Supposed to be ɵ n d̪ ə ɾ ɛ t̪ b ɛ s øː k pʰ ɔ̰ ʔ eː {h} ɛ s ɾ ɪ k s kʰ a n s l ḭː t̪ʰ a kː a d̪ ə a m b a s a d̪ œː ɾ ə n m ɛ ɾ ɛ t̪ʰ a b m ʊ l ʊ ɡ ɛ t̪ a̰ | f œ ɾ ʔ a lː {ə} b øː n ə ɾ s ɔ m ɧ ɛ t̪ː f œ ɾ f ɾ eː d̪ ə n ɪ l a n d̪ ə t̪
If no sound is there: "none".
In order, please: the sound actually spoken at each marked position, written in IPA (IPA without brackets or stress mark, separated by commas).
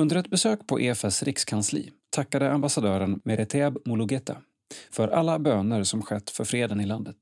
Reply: f, a